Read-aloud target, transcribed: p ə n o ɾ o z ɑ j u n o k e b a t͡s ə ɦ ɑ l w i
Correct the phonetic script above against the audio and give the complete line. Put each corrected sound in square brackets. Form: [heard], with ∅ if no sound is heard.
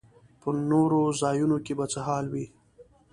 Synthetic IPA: p ə n o ɾ o z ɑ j u n o k e b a t͡s ə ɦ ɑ l w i